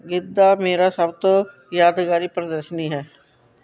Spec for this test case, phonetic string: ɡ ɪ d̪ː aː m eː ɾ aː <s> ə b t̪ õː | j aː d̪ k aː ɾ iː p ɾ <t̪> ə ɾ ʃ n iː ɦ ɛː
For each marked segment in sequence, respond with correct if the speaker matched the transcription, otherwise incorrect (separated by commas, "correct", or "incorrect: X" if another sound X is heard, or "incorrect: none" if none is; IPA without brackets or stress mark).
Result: correct, incorrect: d̪